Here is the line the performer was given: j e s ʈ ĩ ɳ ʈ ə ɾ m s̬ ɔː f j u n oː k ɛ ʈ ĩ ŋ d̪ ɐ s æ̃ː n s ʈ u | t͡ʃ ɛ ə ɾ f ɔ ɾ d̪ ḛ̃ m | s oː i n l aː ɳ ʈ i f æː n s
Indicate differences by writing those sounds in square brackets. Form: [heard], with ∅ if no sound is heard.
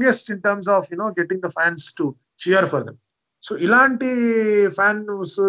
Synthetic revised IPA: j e s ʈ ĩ ɳ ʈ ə ɾ m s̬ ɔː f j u n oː [ɡ] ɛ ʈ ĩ ŋ d̪ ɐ [f] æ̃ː n s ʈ u | t͡ʃ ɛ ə ɾ f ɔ ɾ d̪ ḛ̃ m | s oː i [∅] l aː ɳ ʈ i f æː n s